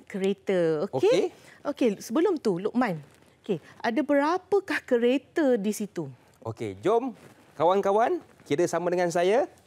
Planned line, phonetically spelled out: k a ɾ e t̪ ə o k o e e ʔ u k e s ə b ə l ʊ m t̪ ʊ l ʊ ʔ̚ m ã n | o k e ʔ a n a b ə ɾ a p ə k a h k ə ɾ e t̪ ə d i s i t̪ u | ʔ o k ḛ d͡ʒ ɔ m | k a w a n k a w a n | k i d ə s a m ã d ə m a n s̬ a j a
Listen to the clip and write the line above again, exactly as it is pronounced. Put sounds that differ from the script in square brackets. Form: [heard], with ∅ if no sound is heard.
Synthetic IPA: k [ə] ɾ e t̪ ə o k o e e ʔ [o] k e s ə b ə l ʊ m t̪ [u] l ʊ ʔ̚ m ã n | o k e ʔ a [d] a b ə ɾ a p ə k a h k ə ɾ e t̪ ə d i s i t̪ u | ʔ o k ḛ d͡ʒ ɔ m | k a w a n k a w a n | k i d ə s a m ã d ə [ŋ] a n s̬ a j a